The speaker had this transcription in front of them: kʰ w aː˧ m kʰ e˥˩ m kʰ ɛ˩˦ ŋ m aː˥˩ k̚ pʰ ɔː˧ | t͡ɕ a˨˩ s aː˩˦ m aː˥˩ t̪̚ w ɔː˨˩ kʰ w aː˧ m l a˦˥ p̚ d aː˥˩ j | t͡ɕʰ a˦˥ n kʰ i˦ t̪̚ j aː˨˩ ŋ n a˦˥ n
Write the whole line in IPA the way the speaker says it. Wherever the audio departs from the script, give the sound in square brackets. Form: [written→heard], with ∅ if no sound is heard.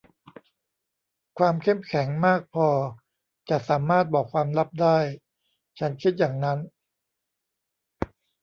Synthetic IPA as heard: kʰ w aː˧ m kʰ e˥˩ m kʰ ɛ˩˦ ŋ m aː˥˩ k̚ pʰ ɔː˧ | t͡ɕ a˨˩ s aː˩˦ m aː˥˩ t̪̚ [w→b] ɔː˨˩ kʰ w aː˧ m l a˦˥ p̚ d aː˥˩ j | t͡ɕʰ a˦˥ n kʰ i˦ t̪̚ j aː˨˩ ŋ n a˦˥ n